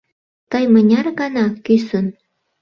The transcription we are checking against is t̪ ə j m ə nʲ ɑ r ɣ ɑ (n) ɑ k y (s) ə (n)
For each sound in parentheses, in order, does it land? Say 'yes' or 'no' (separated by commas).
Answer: yes, yes, yes